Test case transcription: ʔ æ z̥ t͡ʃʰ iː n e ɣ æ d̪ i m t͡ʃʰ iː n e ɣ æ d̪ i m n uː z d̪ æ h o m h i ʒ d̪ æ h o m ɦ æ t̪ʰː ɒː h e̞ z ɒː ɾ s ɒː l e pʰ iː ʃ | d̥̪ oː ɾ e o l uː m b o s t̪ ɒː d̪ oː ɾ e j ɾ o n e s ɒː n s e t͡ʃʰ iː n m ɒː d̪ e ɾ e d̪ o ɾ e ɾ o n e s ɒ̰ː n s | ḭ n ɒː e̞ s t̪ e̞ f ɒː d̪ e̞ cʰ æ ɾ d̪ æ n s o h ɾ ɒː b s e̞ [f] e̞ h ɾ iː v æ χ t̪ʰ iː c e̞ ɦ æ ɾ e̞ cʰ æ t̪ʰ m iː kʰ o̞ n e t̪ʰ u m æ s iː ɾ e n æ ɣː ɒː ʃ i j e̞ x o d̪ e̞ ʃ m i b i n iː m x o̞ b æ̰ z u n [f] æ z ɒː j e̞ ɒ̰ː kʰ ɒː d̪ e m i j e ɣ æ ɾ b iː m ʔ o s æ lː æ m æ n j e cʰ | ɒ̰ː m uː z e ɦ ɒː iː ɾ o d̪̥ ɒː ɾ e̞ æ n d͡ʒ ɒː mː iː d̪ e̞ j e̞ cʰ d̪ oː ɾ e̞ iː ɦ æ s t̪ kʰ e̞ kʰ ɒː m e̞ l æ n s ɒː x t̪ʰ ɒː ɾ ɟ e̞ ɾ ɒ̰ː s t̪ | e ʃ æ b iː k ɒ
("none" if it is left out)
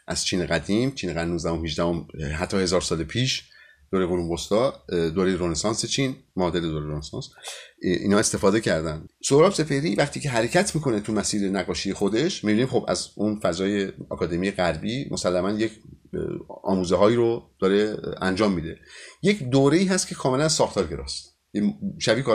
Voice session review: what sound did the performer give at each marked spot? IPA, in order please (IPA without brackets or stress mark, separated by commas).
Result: f, f